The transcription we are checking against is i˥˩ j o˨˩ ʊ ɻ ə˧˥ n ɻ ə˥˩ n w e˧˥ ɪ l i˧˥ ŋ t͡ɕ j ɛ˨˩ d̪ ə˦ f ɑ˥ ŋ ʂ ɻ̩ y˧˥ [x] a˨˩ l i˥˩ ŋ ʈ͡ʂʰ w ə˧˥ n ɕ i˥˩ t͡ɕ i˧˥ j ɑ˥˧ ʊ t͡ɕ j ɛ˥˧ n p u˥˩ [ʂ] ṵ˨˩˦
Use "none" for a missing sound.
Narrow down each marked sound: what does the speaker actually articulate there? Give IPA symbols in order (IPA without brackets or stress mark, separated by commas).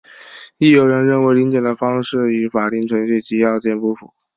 f, f